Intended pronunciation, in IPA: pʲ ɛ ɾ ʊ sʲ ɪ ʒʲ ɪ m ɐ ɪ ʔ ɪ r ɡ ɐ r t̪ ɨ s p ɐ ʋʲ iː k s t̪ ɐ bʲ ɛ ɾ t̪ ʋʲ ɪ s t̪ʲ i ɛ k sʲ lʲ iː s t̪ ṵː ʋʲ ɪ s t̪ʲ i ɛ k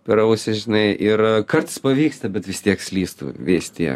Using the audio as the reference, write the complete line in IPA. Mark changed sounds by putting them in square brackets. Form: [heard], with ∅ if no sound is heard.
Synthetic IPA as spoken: pʲ ɛ ɾ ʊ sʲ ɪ ʒʲ ɪ [n] ɐ ɪ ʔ ɪ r [k] ɐ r t̪ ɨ s p ɐ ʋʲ iː k s t̪ ɐ bʲ ɛ [∅] t̪ ʋʲ ɪ s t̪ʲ i ɛ k sʲ lʲ iː s t̪ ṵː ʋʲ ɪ s t̪ʲ i ɛ k